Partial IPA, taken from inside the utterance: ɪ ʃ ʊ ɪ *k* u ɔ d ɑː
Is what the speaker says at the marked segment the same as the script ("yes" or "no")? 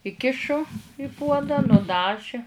no